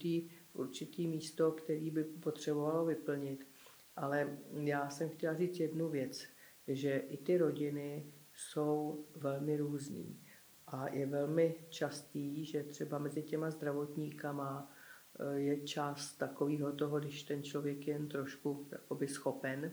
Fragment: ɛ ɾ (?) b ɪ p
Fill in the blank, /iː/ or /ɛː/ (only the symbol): iː